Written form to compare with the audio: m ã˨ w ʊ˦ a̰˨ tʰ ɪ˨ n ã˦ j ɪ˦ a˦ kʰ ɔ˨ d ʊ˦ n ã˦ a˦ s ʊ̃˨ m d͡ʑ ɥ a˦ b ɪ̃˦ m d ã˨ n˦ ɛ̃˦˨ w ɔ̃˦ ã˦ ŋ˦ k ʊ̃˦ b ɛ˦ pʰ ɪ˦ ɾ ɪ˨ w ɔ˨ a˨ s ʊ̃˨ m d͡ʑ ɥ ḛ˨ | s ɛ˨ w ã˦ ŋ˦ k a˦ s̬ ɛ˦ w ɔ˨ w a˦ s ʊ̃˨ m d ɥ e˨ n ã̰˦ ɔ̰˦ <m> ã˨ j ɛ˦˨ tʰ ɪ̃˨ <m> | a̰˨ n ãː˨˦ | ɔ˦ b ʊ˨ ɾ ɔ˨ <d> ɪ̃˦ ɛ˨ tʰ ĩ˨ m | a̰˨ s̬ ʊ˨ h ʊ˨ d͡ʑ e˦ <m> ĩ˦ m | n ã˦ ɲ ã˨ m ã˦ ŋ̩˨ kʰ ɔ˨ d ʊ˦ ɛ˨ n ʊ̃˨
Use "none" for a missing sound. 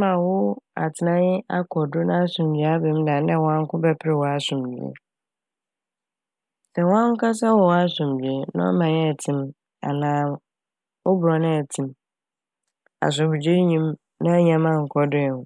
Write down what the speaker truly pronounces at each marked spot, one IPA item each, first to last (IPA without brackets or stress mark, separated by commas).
m, m, n, ɲ